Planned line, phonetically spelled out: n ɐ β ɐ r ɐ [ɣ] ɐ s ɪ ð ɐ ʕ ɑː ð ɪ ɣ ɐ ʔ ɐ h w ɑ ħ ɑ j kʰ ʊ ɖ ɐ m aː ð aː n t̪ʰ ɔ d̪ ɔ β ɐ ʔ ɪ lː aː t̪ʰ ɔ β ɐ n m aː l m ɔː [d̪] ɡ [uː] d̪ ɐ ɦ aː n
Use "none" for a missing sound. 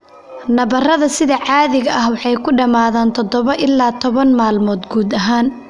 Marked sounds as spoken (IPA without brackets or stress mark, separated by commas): ð, d̪, uː